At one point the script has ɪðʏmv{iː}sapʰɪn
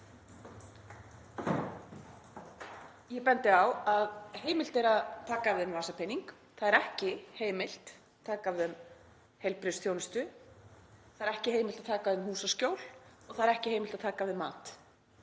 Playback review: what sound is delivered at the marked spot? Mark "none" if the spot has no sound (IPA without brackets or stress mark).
aː